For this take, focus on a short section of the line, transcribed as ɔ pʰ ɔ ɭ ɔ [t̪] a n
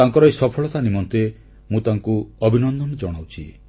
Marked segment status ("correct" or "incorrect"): correct